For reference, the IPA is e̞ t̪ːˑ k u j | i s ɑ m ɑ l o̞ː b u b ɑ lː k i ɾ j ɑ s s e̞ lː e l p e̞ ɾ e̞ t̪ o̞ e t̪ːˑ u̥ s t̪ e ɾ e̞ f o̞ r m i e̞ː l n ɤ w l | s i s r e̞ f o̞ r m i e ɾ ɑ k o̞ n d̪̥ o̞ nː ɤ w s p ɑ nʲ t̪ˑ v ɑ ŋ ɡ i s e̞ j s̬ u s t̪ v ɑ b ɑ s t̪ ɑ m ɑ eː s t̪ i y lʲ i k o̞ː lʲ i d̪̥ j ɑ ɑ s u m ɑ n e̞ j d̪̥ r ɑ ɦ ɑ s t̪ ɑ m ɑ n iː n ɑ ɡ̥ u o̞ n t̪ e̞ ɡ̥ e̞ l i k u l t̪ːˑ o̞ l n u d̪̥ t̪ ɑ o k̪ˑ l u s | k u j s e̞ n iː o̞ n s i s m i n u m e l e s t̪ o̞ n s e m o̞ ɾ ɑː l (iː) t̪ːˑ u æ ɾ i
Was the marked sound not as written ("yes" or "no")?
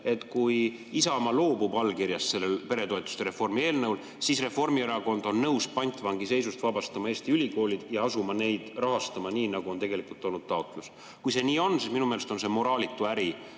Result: yes